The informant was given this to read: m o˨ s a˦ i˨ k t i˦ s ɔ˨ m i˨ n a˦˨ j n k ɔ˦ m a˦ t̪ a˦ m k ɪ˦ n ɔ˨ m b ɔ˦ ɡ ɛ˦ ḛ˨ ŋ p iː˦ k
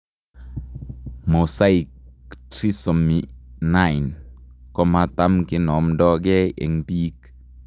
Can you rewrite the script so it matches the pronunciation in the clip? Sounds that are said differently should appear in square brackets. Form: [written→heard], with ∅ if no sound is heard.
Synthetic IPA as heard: m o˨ s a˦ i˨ k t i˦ s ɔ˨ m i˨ n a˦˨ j n k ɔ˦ m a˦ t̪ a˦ m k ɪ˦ n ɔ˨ m [b→d] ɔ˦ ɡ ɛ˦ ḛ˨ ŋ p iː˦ k